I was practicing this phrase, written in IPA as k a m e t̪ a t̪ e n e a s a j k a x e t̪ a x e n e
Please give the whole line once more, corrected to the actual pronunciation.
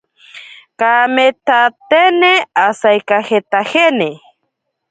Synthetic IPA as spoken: k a m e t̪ a t̪ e n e a s a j k a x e t̪ a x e n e

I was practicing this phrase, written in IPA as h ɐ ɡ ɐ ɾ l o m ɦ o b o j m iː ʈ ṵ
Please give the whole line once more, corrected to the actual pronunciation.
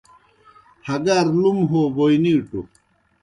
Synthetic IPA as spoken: h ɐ ɡ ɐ ɾ l u m ɦ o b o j n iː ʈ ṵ

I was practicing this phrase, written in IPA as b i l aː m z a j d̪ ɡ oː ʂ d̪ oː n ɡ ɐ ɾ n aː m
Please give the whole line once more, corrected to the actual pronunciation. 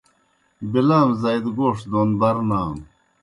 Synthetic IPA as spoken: b i l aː m z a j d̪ ɡ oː ʂ d̪ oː n b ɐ ɾ n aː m

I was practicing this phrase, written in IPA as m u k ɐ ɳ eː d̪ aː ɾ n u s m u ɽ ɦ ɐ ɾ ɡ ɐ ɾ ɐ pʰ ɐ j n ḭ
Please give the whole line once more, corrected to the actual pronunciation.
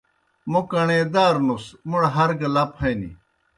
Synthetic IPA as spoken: m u k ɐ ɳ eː d̪ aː ɾ n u s m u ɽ ɦ ɐ ɾ ɡ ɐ l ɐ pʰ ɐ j n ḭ

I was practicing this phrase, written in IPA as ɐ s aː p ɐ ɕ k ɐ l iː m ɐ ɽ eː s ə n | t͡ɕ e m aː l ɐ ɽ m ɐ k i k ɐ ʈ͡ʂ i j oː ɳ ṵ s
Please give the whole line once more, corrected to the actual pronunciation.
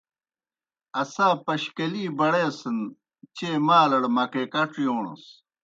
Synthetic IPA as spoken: ɐ s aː p ɐ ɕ k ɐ l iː b ɐ ɽ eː s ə n | t͡ɕ e m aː l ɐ ɽ m ɐ k e k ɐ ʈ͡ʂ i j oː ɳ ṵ s

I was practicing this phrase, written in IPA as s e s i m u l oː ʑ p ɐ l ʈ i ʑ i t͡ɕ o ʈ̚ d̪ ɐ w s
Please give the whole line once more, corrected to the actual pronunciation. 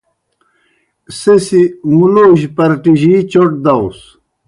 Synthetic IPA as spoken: s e s i m u l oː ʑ p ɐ ɾ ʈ i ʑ i t͡ɕ o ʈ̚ d̪ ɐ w s

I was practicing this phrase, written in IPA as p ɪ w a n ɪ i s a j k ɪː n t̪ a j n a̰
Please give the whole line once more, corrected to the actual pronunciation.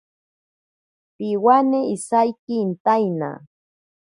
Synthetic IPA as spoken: p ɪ w a n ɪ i s a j k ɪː n t̪ a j n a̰

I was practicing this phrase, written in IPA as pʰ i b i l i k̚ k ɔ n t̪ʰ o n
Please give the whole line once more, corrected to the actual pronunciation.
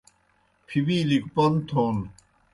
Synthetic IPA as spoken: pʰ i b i l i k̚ p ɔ n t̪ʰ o n

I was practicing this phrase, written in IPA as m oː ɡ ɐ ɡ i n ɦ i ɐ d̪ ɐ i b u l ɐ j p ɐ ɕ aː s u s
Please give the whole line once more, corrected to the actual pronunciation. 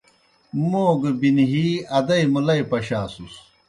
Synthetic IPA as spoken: m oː ɡ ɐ b i n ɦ i ɐ d̪ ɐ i m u l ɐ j p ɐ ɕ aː s u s

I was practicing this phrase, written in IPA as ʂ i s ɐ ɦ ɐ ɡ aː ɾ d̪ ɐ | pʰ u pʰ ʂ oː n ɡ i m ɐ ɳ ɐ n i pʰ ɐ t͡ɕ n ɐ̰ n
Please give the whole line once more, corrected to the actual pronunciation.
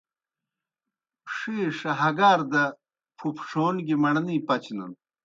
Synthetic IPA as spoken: ʂ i ʂ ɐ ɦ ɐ ɡ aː ɾ d̪ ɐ | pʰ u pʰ ʂ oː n ɡ i m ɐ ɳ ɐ n i p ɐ t͡ɕ n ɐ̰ n

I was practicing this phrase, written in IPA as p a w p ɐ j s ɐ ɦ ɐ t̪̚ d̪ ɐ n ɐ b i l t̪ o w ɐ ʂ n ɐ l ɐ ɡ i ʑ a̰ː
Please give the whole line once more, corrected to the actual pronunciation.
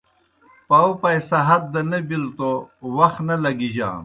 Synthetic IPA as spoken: p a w p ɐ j s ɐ ɦ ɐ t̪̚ d̪ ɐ n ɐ b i l t̪ o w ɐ x n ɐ l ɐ ɡ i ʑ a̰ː

